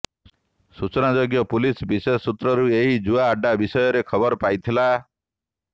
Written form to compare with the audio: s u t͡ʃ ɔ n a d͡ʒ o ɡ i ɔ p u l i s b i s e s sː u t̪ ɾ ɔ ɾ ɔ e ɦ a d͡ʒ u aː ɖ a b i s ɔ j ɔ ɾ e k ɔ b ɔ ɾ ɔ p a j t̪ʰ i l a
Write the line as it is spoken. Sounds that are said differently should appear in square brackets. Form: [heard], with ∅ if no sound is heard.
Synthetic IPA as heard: s u t͡ʃ ɔ n a d͡ʒ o ɡ [j] ɔ p u l i s b i s e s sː u t̪ ɾ ɔ ɾ [u] e ɦ [i] d͡ʒ u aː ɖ a b i s ɔ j ɔ ɾ e [kʰ] ɔ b ɔ ɾ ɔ p a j t̪ʰ i l a